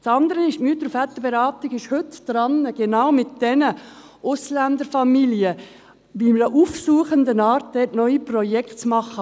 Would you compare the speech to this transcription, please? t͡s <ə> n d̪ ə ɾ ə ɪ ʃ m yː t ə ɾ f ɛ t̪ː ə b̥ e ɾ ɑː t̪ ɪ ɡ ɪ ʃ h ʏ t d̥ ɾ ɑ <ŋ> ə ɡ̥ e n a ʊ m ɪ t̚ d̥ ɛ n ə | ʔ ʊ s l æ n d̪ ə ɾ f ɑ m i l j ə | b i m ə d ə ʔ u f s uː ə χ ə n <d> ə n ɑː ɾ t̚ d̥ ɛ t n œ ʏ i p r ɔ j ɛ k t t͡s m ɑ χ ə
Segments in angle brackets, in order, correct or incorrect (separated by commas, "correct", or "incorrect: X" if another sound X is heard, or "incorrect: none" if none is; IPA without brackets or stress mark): incorrect: ɑ, incorrect: n, correct